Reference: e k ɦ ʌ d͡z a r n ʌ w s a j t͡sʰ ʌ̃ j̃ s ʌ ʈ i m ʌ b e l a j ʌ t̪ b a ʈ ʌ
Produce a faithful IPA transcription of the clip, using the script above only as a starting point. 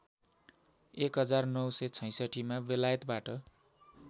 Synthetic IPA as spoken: e k ɦ ʌ d͡z a r n ʌ w s ʌ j t͡sʰ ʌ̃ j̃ s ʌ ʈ i m a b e l a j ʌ t̪ b a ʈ ʌ